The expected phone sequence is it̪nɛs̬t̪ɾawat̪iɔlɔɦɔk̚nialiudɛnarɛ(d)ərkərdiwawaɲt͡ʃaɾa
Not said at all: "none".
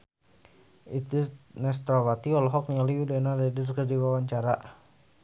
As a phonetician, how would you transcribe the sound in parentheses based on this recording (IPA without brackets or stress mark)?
d